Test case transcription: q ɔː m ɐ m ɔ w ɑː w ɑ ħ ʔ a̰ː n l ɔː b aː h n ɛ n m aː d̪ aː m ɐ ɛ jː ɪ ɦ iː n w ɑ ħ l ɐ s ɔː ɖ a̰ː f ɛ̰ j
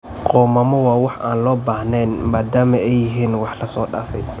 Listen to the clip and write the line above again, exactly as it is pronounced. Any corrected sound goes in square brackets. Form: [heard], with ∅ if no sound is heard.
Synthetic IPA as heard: q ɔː m ɐ m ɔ w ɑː w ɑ ħ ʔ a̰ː n l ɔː b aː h n ɛ n m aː d̪ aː m ɐ ɛ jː ɪ ɦ iː n w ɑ ħ l ɐ s ɔː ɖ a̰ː f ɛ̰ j